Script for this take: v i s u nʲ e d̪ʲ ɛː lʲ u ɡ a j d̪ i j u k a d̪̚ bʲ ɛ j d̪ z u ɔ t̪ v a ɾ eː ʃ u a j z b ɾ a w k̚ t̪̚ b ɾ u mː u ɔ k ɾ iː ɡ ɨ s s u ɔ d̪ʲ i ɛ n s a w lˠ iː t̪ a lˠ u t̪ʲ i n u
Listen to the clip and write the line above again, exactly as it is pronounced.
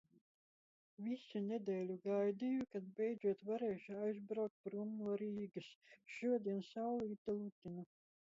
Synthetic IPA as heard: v i s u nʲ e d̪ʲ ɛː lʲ u ɡ a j d̪ i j u k a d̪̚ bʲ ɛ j d̪ z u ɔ t̪ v a ɾ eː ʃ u a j z b ɾ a w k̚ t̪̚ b ɾ u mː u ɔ ɾ iː ɡ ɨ s ʃ u ɔ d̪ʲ i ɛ n s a w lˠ iː t̪ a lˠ u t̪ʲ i n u